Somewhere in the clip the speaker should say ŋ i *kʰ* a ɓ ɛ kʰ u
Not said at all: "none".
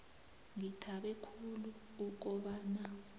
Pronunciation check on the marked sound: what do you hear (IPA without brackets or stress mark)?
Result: tʰ